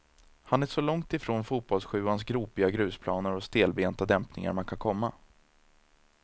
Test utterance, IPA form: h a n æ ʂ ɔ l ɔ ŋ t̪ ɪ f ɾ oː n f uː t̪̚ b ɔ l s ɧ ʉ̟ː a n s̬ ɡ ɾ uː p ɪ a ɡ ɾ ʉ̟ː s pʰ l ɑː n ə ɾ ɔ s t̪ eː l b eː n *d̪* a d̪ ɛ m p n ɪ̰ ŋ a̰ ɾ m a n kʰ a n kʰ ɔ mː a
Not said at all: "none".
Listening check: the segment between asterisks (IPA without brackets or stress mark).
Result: t̪